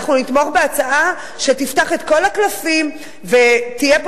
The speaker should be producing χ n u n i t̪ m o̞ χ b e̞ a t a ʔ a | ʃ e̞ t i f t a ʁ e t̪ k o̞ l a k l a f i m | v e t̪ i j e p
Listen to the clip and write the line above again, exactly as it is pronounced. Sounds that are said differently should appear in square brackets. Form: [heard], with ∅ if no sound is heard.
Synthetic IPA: χ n u n i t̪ m o̞ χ b e̞ a [t͡s] a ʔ a | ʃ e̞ t i f t a [χ] e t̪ k o̞ l a k l a f i m | v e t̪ i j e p